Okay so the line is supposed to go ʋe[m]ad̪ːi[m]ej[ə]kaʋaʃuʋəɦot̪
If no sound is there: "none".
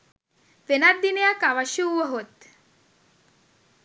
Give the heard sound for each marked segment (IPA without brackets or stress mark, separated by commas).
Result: n, n, a